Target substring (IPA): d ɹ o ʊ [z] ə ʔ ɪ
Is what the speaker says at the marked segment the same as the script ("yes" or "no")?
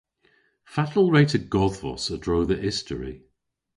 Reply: no